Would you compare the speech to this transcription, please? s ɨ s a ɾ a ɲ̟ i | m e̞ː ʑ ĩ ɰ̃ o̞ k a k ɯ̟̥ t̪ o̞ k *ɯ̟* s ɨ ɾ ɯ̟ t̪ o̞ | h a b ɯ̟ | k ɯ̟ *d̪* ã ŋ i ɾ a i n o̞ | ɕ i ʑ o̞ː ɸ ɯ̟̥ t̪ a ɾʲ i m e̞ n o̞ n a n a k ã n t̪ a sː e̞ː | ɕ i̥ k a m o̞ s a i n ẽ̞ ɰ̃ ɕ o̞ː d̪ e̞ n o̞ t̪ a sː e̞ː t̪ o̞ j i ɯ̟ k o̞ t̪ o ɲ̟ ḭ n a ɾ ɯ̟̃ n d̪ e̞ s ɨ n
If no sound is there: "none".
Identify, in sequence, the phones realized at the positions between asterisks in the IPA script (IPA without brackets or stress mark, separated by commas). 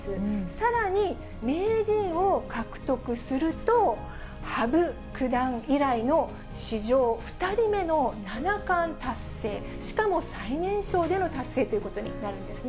ɯ̟, d̪